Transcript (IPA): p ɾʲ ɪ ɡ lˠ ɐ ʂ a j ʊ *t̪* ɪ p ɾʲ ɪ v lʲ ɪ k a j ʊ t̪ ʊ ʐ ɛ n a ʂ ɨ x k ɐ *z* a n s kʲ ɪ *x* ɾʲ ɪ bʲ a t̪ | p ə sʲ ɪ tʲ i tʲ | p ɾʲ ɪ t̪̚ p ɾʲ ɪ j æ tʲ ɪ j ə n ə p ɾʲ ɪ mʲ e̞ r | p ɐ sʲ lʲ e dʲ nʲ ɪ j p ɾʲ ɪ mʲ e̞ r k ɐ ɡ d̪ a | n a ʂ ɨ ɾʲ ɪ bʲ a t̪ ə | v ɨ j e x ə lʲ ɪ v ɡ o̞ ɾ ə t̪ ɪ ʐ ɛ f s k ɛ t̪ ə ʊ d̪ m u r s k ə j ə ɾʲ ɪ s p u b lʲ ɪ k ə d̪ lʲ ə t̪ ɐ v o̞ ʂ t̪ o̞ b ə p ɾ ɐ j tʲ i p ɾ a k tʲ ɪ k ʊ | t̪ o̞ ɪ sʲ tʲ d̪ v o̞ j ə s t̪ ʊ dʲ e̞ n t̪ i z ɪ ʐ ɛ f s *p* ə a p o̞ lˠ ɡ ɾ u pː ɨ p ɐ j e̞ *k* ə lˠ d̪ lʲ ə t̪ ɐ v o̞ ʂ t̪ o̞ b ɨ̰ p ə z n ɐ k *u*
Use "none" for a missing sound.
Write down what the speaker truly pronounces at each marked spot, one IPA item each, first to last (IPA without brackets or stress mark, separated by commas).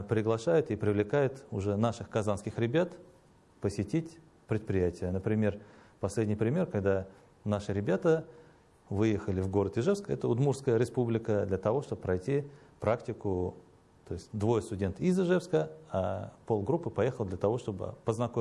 t̪, z, x, k, x, o